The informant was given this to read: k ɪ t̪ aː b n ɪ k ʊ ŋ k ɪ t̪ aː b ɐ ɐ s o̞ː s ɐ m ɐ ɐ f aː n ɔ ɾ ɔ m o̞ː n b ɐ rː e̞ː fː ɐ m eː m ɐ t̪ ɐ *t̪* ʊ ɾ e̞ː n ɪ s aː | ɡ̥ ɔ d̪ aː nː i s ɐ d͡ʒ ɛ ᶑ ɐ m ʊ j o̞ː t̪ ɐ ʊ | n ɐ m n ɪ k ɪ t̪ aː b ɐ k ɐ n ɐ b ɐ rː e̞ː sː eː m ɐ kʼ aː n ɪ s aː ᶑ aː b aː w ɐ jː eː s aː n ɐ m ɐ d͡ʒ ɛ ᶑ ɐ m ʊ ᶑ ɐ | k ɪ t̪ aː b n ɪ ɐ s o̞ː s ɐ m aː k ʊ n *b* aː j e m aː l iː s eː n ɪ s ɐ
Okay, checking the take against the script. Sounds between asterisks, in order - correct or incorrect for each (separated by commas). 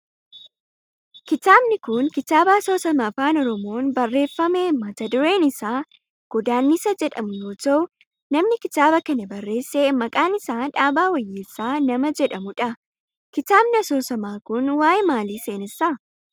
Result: incorrect, incorrect